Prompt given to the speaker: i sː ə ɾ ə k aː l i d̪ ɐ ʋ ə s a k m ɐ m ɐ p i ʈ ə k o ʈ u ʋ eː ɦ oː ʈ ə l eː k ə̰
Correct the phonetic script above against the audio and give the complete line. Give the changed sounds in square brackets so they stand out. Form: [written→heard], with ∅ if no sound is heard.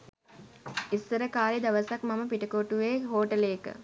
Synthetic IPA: i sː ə ɾ ə k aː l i d̪ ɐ ʋ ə s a k m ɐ m [ɐ→ə] p i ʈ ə k o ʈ u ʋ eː ɦ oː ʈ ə l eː k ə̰